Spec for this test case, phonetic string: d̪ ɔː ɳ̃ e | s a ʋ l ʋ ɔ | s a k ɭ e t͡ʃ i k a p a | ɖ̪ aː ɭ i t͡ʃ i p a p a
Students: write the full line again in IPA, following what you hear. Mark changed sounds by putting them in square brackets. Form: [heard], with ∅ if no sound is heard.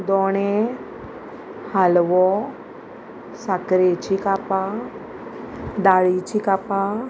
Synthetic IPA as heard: d̪ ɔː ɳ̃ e | [h] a [∅] l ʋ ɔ | s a k [ɾ] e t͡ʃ i k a p a | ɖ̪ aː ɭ i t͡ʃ i [k] a p a

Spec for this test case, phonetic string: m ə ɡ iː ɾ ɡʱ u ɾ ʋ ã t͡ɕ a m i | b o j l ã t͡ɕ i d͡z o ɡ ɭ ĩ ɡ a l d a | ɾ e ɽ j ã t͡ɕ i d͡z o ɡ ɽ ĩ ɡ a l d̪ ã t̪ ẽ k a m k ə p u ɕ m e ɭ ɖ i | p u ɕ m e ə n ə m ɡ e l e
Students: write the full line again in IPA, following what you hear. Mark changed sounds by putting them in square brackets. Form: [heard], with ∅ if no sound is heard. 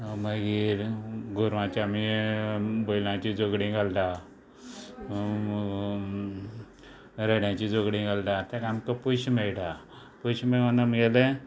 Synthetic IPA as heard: m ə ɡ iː ɾ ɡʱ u ɾ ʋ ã t͡ɕ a m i | b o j l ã t͡ɕ i d͡z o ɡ [ɽ] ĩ ɡ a l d a | ɾ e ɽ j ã t͡ɕ i d͡z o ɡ ɽ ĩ ɡ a l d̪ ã t̪ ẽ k a m k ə p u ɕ m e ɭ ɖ [a] | p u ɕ m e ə n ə m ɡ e l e

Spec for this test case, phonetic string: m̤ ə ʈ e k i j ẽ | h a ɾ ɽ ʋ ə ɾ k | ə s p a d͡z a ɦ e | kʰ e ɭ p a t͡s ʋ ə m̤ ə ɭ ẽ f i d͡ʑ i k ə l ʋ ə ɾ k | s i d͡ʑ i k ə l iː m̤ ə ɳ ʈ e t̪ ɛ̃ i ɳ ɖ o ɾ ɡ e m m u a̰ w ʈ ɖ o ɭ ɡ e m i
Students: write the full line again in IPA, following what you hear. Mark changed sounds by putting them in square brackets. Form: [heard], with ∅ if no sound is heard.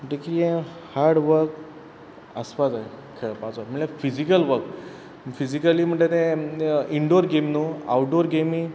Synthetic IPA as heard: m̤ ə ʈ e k i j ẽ | h a ɾ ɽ ʋ ə ɾ k | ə s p a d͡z a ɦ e | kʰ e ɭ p a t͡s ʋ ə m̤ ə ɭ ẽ f i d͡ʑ i k ə l ʋ ə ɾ k | [f] i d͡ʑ i k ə l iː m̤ ə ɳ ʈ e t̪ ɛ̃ i ɳ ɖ o ɾ ɡ e m [n] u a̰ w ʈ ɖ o [ɾ] ɡ e m i

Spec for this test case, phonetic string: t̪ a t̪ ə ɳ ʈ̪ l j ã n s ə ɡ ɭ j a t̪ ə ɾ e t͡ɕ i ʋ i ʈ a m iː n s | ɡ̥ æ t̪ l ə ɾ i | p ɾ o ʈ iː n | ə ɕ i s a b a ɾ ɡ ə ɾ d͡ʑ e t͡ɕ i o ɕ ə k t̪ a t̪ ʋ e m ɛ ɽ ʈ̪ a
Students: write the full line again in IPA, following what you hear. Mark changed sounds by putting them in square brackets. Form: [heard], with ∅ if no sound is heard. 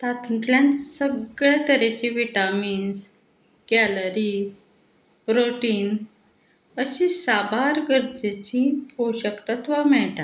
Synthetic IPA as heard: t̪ a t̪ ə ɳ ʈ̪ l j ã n s ə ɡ ɭ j a t̪ ə ɾ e t͡ɕ i ʋ i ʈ a m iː n s | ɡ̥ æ [∅] l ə ɾ i | p ɾ o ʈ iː n | ə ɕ i s a b a ɾ ɡ ə ɾ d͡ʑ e t͡ɕ i o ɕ ə k t̪ a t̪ ʋ [a] m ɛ [ɭ] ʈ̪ a

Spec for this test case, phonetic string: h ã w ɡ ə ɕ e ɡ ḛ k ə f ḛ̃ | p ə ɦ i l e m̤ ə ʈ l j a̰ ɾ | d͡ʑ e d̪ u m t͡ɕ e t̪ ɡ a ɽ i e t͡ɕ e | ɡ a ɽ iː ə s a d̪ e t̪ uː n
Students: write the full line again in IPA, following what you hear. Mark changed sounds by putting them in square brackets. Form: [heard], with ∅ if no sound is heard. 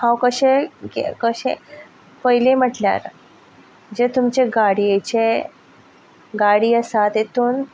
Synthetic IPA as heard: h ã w [k] ə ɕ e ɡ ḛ k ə [ɕ] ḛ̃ | p ə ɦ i l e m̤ ə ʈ l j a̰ ɾ | d͡ʑ e [t̪] u m t͡ɕ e [∅] ɡ a ɽ i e t͡ɕ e | ɡ a ɽ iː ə s a [t̪] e t̪ uː n

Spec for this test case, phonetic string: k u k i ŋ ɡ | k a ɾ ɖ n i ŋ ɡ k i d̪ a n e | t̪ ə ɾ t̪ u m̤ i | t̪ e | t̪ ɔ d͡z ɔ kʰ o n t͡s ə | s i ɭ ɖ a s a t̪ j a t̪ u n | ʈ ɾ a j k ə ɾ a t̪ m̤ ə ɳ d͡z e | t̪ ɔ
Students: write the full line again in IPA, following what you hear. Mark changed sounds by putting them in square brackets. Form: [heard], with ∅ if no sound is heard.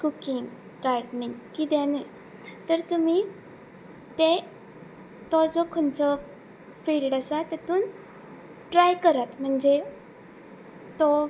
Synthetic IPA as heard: k u k i ŋ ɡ | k a ɾ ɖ n i ŋ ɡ k i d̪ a n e | t̪ ə ɾ t̪ u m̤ i | t̪ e | t̪ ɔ d͡z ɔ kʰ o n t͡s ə | [f] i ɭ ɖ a s a t̪ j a t̪ [uː] n | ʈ ɾ a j k ə ɾ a t̪ m̤ ə ɳ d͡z e | t̪ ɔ

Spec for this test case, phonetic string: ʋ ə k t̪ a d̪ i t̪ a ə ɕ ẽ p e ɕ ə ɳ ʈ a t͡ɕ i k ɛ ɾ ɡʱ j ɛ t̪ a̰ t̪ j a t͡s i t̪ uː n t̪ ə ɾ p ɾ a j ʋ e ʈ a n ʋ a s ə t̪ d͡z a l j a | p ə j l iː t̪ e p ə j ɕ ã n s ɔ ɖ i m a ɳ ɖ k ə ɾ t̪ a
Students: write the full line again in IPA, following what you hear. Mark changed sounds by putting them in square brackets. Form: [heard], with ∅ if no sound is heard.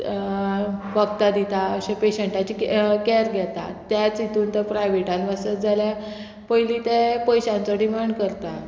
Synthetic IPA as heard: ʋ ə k t̪ a d̪ i t̪ a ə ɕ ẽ p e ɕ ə ɳ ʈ a t͡ɕ i k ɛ ɾ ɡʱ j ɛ t̪ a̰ t̪ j a t͡s i t̪ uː n t̪ ə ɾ p ɾ a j ʋ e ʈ a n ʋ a s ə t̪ d͡z a l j a | p ə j l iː t̪ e p ə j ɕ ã n [t͡s] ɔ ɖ i m a ɳ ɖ k ə ɾ t̪ a

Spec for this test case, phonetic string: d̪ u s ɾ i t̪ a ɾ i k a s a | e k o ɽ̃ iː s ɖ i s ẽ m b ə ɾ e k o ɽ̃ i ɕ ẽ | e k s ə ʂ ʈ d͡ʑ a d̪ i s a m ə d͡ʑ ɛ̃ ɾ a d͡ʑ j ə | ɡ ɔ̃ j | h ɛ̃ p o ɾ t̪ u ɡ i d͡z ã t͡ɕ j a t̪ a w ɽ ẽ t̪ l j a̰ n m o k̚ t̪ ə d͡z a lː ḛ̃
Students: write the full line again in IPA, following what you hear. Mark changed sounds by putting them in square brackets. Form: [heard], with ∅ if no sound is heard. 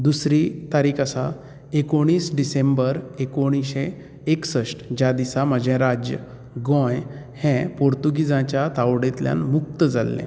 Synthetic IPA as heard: d̪ u s ɾ i t̪ a ɾ i k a s a | e k o ɽ̃ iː s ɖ i s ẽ m b ə ɾ e k o ɽ̃ i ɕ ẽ | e k s ə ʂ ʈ d͡ʑ a d̪ i s a m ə d͡ʑ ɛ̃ ɾ a d͡ʑ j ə | ɡ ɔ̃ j | h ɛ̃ p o ɾ t̪ u ɡ i d͡z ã t͡ɕ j a t̪ a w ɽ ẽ t̪ l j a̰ n m [u] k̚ t̪ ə d͡z a lː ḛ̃

